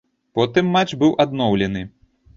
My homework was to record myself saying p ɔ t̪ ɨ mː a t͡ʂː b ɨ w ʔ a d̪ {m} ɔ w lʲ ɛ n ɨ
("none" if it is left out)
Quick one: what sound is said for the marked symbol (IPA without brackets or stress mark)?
n